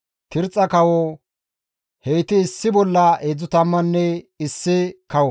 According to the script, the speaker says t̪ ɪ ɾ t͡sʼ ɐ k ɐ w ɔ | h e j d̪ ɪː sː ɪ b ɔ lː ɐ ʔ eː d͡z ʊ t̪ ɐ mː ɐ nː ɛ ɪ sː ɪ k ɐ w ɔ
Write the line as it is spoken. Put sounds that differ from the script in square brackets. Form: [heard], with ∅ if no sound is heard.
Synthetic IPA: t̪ ɪ ɾ t͡sʼ ɐ k ɐ w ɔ | h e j [t̪] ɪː sː ɪ b ɔ lː ɐ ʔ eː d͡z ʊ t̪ ɐ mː ɐ nː ɛ ɪ sː ɪ k ɐ w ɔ

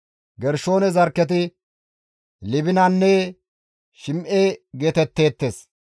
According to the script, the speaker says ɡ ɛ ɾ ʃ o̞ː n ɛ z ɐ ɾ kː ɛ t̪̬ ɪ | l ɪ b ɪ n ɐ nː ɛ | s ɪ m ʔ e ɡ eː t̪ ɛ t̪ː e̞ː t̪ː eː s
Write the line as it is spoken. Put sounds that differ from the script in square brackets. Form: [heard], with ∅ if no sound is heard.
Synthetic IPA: ɡ ɛ ɾ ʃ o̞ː n ɛ z ɐ ɾ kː ɛ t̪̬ ɪ | l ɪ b ɪ n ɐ nː ɛ | [ʃ] ɪ m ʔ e ɡ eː t̪ ɛ t̪ː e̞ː t̪ː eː s

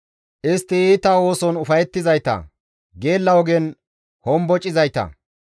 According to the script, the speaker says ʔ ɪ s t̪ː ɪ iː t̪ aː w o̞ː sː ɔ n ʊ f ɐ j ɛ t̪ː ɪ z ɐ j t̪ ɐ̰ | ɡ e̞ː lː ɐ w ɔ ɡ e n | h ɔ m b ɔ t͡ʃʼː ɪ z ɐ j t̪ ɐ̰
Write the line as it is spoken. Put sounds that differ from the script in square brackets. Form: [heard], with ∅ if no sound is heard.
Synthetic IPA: ʔ ɪ s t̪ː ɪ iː t̪ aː w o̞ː [s] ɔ n ʊ f ɐ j ɛ t̪ː ɪ z ɐ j t̪ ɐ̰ | ɡ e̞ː lː ɐ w ɔ ɡ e n | h ɔ m b ɔ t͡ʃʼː ɪ z ɐ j t̪ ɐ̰

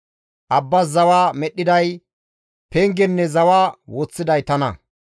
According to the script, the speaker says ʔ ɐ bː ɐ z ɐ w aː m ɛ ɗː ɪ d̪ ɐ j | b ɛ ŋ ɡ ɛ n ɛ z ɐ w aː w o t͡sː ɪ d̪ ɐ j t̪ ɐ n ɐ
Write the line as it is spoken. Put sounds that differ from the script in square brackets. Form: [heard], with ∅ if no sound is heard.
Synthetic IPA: ʔ ɐ bː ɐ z ɐ w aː m ɛ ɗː ɪ d̪ ɐ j | [p] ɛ ŋ ɡ ɛ [nː] ɛ z ɐ w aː w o t͡sː ɪ d̪ ɐ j t̪ ɐ n ɐ

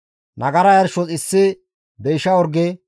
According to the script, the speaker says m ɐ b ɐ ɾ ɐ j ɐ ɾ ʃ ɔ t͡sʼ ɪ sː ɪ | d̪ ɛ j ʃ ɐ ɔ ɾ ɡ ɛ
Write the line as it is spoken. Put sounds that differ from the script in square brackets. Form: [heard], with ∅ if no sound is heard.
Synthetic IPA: [n] ɐ [ɡ] ɐ ɾ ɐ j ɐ ɾ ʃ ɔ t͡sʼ ɪ sː ɪ | d̪ ɛ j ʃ ɐ ɔ ɾ ɡ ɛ

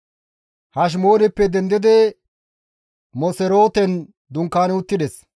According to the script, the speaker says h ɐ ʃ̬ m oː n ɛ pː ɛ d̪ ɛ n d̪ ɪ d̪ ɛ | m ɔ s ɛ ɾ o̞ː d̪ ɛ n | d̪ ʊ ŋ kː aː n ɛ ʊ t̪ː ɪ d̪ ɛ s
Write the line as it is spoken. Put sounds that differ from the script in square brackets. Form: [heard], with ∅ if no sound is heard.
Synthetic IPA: h ɐ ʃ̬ m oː n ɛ pː ɛ d̪ ɛ n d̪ ɪ d̪ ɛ | m ɔ s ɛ ɾ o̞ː [t̪] ɛ n | d̪ ʊ ŋ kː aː n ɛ ʊ t̪ː ɪ d̪ ɛ s

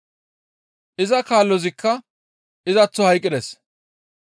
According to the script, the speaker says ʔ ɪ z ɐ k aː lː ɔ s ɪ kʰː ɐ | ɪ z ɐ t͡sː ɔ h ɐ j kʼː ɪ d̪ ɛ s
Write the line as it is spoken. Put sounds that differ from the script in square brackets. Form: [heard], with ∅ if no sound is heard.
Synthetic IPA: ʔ ɪ z ɐ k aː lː ɔ [z] ɪ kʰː ɐ | ɪ z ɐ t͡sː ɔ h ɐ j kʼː ɪ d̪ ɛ s

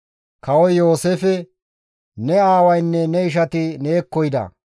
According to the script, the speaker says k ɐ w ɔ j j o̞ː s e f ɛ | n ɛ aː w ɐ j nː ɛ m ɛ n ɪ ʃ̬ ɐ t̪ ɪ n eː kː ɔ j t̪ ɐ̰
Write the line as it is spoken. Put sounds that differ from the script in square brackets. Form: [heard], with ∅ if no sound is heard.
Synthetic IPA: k ɐ w ɔ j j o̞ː s e f ɛ | n ɛ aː w ɐ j nː ɛ [n] ɛ [∅] ɪ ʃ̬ ɐ t̪ ɪ n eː kː ɔ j [d̪] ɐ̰

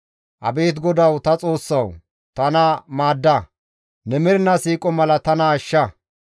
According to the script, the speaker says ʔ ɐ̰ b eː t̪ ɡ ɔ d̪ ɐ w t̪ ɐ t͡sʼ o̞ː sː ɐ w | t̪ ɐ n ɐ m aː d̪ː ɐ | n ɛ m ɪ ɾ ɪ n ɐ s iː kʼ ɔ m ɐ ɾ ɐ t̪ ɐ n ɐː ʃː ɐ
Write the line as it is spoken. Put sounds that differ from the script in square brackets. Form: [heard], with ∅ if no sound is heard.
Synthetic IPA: ʔ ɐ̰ b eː t̪ ɡ ɔ d̪ ɐ w t̪ ɐ t͡sʼ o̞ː sː ɐ w | t̪ ɐ n ɐ m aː d̪ː ɐ | n ɛ m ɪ ɾ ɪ n ɐ s iː kʼ ɔ m ɐ [l] ɐ t̪ ɐ n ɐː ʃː ɐ

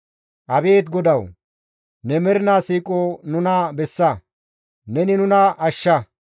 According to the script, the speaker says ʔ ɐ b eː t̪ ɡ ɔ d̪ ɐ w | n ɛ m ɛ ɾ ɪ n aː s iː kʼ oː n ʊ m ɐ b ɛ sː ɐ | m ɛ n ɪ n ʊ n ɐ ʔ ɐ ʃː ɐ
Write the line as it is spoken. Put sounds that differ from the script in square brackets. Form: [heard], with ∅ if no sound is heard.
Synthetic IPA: ʔ ɐ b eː t̪ ɡ ɔ d̪ ɐ w | n ɛ m ɛ ɾ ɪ n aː s iː kʼ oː n ʊ [n] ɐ b ɛ sː ɐ | [n] ɛ n ɪ n ʊ n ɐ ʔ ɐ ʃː ɐ

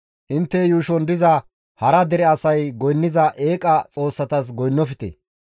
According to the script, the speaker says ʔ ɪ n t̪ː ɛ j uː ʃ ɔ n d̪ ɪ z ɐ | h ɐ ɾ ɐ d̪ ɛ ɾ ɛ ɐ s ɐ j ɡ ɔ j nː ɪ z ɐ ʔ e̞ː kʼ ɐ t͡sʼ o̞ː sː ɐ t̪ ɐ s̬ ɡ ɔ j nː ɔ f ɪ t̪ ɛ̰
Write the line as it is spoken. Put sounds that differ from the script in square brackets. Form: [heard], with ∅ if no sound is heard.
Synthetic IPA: ʔ ɪ n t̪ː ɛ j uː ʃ ɔ n d̪ ɪ z ɐ | h ɐ ɾ ɐ d̪ ɛ ɾ ɛ ɐ s ɐ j ɡ ɔ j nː ɪ z ɐ ʔ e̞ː kʼ ɐ t͡sʼ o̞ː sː ɐ t̪ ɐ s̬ ɡ ɔ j nː ɔ f ɪ t̪ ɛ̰

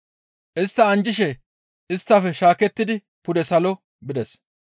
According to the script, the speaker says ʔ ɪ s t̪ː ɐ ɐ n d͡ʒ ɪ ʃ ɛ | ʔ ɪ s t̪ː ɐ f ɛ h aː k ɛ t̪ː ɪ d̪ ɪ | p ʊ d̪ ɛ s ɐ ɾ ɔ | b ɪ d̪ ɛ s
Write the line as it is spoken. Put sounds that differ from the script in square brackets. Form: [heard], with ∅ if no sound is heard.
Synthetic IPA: ʔ ɪ s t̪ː ɐ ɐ n d͡ʒ ɪ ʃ ɛ | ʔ ɪ s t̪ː ɐ f ɛ [ʃ] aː k ɛ t̪ː ɪ d̪ ɪ | p ʊ d̪ ɛ s ɐ [l] ɔ | b ɪ d̪ ɛ s

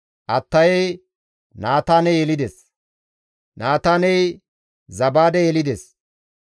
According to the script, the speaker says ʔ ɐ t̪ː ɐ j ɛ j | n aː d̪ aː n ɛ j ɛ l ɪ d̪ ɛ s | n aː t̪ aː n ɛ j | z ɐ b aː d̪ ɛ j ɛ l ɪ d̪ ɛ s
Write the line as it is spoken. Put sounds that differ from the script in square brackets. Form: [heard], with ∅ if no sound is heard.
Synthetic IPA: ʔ ɐ t̪ː ɐ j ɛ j | n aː [t̪] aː n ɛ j ɛ l ɪ d̪ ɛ s | n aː t̪ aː n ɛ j | z ɐ b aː d̪ ɛ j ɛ l ɪ d̪ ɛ s

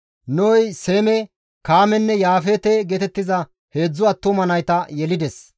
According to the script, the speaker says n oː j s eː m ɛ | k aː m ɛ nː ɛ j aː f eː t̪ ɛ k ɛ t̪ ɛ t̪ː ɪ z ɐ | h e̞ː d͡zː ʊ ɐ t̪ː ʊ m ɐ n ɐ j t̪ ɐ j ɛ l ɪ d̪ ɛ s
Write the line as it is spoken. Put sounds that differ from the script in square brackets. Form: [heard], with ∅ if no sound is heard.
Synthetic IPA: n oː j s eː m ɛ | k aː m ɛ nː ɛ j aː f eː t̪ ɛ [ɡ] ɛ t̪ ɛ t̪ː ɪ z ɐ | h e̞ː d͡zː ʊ ɐ t̪ː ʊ m ɐ n ɐ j t̪ ɐ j ɛ l ɪ d̪ ɛ s

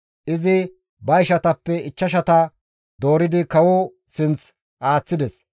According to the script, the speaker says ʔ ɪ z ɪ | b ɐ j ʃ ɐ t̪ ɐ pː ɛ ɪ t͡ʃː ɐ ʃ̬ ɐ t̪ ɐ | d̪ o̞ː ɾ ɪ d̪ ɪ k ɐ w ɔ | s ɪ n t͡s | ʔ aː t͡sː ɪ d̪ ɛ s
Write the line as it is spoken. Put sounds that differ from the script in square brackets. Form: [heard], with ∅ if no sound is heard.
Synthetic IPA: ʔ ɪ z ɪ | b ɐ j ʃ ɐ t̪ ɐ pː ɛ ɪ t͡ʃː ɐ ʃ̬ ɐ t̪ ɐ | d̪ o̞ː ɾ ɪ d̪ ɪ k ɐ w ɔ | s ɪ n t͡s | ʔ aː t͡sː ɪ d̪ ɛ s

